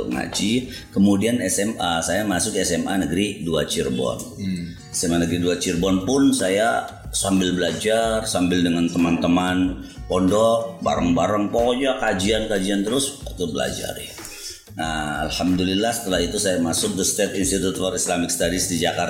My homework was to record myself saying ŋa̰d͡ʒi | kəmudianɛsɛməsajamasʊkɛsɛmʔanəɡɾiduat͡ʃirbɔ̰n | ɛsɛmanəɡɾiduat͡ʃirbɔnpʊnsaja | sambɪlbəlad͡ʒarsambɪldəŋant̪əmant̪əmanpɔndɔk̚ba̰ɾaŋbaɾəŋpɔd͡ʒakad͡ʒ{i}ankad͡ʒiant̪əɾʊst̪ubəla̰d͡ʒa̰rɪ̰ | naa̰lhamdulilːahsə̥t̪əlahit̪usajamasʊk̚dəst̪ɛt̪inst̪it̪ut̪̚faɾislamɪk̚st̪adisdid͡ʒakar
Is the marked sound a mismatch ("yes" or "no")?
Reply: no